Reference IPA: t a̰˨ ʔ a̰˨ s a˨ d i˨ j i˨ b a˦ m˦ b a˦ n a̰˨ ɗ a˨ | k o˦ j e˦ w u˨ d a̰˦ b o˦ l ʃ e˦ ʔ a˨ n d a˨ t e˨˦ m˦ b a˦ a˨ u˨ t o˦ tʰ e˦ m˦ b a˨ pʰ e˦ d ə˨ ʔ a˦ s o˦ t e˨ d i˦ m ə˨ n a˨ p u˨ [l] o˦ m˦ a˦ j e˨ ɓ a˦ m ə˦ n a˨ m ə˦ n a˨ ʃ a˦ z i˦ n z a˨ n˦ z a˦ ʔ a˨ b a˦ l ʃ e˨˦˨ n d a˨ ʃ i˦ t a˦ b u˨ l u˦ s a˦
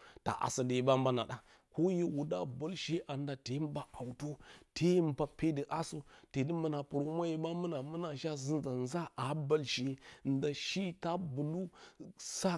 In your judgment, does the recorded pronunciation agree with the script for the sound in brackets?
no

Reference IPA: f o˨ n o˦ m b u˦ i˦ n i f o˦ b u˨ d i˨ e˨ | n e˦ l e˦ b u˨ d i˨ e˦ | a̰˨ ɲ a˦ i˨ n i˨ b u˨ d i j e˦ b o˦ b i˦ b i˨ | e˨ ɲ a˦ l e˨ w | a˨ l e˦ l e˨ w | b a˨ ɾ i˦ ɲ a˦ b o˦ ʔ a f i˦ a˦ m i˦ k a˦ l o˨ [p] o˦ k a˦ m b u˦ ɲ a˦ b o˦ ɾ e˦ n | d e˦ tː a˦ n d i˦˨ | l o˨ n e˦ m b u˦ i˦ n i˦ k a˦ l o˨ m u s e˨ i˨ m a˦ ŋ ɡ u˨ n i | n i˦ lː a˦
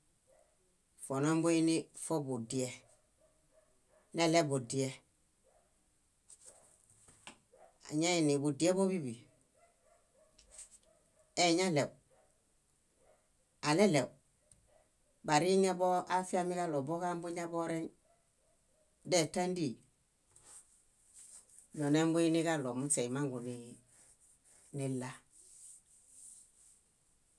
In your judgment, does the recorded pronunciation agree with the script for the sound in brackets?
no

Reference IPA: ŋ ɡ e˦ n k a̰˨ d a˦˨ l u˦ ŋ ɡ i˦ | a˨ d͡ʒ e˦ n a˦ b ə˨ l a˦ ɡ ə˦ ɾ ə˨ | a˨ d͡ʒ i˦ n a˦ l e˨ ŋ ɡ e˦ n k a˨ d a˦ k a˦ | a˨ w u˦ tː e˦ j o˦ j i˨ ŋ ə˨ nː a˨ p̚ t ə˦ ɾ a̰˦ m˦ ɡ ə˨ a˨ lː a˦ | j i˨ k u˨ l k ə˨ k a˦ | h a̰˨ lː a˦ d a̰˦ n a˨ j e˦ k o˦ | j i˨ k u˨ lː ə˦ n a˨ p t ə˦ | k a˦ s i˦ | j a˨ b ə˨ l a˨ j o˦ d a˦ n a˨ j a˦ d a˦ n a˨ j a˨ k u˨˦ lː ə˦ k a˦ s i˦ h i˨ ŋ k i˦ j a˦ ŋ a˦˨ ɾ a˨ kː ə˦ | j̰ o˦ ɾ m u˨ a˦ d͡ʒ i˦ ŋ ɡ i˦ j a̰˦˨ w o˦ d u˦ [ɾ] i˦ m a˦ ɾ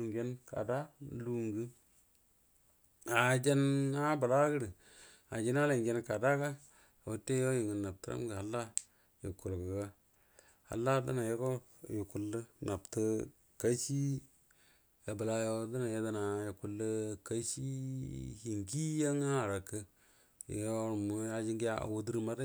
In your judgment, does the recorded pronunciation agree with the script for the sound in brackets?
yes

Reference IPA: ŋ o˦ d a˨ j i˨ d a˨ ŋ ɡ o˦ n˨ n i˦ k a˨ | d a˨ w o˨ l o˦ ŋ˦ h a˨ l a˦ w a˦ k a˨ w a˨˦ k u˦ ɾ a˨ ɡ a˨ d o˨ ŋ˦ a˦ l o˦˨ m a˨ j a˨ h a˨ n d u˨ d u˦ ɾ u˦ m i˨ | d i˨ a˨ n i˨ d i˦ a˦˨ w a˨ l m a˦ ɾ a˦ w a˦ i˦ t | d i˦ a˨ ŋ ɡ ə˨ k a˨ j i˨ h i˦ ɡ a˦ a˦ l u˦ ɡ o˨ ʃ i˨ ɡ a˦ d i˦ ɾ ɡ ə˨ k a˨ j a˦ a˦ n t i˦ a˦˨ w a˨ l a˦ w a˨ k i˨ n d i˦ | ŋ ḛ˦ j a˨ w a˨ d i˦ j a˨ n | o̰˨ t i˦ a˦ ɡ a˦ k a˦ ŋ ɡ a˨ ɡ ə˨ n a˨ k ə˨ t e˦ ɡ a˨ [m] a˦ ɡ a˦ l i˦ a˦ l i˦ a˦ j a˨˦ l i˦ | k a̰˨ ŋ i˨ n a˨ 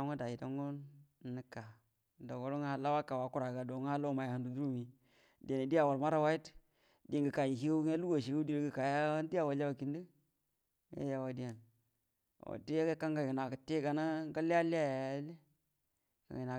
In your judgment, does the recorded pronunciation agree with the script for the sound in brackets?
no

